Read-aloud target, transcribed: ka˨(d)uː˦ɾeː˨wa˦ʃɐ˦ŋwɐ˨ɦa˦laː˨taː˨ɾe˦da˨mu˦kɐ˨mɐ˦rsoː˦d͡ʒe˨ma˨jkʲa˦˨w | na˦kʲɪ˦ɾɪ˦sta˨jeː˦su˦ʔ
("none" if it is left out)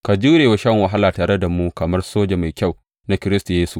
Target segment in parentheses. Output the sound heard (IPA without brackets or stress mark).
d͡ʒ